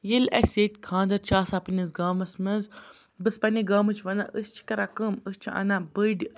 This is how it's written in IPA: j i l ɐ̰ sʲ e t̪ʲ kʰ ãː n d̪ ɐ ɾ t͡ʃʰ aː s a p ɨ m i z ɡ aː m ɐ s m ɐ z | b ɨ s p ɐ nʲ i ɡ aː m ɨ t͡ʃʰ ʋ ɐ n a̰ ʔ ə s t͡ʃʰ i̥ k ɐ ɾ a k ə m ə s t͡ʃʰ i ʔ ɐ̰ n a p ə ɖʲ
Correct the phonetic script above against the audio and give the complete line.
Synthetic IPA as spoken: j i l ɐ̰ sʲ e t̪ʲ kʰ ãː n d̪ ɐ ɾ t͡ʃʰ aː s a p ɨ n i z ɡ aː m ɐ s m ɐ z | b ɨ s p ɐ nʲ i ɡ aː m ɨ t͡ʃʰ ʋ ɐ n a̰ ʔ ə s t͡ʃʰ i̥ k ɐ ɾ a k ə m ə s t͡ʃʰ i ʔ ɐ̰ n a b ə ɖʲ